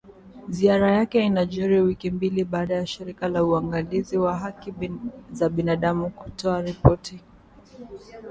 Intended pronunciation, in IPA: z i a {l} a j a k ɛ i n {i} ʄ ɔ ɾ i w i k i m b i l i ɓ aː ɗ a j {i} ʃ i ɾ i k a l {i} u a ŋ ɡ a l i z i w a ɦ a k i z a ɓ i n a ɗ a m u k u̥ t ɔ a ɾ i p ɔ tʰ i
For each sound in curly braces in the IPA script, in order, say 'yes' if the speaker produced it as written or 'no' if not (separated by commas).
no, no, no, no